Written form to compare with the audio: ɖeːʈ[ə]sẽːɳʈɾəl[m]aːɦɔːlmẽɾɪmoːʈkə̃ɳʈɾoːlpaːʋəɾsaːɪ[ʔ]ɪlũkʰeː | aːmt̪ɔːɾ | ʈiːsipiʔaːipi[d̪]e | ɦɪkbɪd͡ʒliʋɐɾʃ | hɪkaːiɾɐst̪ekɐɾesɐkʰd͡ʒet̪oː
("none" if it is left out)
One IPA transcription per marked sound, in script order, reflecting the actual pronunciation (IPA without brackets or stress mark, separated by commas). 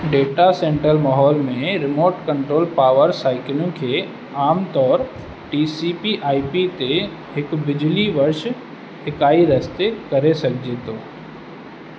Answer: a, m, k, t̪